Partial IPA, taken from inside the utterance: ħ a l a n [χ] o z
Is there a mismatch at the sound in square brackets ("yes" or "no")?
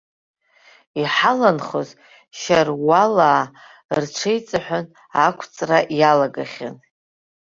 no